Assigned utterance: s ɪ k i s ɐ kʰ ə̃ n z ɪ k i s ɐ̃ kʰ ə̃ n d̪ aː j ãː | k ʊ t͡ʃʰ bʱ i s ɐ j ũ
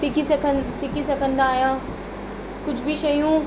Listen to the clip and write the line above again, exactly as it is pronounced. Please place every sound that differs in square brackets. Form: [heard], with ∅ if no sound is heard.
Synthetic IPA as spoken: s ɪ k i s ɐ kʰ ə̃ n [s] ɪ k i s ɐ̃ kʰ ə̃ n d̪ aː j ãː | k ʊ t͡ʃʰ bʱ i [ʃ] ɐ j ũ